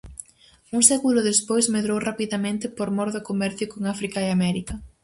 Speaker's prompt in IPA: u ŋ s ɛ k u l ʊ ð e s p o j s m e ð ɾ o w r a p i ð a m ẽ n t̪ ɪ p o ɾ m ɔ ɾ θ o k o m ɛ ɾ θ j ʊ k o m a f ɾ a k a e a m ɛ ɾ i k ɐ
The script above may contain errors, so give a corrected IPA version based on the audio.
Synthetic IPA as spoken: u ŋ s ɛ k u l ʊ ð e s p o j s m e ð ɾ o w r a p i ð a m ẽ n t̪ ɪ p o ɾ m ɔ ɾ ð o k o m ɛ ɾ θ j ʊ k o ŋ a f ɾ i k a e a m ɛ ɾ i k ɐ